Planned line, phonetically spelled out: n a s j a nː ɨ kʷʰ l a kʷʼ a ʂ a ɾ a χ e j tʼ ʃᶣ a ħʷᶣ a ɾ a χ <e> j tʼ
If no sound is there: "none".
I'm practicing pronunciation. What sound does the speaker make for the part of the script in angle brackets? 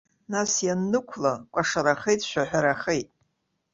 e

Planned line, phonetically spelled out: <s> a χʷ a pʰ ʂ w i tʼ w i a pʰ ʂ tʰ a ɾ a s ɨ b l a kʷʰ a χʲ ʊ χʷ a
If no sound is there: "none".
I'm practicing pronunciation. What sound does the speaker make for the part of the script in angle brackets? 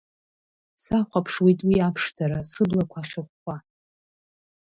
s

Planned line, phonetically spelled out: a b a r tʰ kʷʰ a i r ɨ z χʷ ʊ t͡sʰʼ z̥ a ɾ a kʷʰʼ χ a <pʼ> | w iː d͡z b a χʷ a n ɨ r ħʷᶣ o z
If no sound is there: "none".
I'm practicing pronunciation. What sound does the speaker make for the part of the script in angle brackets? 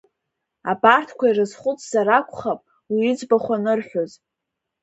pʼ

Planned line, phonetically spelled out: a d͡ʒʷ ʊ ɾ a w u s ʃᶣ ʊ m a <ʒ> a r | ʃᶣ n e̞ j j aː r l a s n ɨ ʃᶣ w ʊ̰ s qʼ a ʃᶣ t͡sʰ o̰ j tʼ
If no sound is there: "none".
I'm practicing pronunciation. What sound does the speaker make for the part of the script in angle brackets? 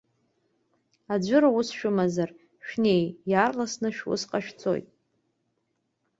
z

